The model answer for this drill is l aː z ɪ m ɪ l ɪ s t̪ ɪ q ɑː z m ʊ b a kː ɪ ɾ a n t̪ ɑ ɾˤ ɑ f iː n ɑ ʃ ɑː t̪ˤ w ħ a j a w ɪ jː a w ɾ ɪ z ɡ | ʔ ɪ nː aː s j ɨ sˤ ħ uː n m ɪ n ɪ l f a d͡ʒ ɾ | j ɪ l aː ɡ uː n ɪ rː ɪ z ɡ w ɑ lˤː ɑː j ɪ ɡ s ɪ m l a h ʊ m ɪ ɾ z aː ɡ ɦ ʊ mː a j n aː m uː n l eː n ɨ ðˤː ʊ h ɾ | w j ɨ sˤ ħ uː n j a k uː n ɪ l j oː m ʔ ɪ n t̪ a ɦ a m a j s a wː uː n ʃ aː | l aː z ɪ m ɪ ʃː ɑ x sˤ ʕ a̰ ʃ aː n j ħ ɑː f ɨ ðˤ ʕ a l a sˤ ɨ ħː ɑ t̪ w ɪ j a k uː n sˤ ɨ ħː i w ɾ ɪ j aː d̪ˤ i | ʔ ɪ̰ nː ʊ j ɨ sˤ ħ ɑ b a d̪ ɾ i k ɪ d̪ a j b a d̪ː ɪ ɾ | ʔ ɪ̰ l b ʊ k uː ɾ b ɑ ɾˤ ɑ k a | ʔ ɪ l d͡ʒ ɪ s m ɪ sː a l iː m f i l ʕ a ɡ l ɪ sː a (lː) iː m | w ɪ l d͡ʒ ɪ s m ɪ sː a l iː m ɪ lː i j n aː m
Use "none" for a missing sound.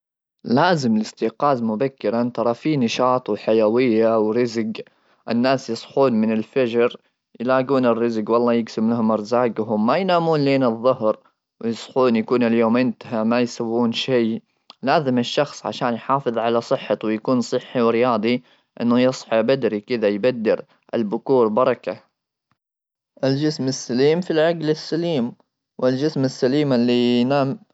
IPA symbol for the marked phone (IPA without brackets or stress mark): l